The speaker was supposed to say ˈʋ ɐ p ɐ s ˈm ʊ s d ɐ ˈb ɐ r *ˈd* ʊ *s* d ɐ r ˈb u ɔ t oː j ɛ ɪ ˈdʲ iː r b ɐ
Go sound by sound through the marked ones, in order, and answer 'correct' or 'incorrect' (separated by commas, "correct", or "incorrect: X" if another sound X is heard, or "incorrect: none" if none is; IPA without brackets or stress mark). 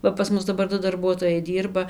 correct, incorrect: none